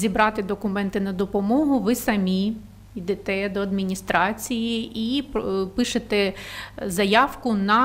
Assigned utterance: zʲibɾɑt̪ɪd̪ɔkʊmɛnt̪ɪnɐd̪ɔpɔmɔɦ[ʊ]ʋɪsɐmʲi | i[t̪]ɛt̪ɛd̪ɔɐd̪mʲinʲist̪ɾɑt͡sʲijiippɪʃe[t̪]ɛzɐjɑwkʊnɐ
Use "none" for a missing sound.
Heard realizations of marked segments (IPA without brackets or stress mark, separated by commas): ʊ, d̪, t̪